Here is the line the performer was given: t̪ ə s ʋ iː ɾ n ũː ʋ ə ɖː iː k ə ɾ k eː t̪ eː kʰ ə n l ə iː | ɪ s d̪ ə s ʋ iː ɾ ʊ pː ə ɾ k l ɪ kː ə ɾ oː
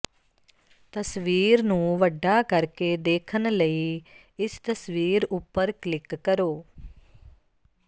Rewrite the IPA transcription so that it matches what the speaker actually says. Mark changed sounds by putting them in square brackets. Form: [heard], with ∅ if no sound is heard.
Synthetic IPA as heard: t̪ ə s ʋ iː ɾ n ũː ʋ ə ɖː [aː] k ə ɾ k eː [d̪] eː kʰ ə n l ə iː | ɪ s [t̪] ə s ʋ iː ɾ ʊ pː ə ɾ k l ɪ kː ə ɾ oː